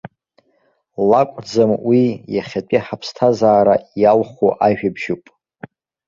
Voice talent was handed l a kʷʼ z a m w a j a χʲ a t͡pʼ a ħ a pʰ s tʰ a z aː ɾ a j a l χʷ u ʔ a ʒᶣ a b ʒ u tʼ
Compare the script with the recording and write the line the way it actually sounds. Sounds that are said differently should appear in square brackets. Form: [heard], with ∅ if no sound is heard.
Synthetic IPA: l a kʷʼ [d͡z] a m w [i] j a χʲ a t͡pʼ [i] ħ a pʰ s tʰ a z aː ɾ a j a l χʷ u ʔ a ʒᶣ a b ʒ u [pʼ]